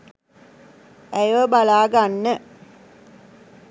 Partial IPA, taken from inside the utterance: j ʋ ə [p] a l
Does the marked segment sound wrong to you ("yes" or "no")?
yes